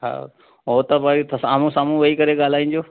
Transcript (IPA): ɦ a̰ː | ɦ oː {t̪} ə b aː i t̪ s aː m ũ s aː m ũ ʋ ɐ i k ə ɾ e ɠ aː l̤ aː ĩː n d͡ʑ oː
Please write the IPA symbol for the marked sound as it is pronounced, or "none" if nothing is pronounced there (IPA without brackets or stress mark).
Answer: t̪